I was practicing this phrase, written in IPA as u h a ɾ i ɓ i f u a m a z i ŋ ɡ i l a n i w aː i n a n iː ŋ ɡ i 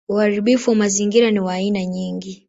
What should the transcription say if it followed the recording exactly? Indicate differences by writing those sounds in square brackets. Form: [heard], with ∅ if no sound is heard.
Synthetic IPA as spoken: u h a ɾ i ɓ i f u a m a z i ŋ ɡ i [ɾ] a n i w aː i n a [ɲ] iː ŋ ɡ i